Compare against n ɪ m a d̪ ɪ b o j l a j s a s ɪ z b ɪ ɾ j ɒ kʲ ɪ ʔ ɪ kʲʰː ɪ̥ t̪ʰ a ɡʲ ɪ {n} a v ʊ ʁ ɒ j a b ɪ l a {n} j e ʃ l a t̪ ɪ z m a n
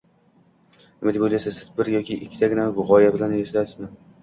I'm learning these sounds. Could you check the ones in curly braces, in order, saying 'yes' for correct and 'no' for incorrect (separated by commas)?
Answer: yes, yes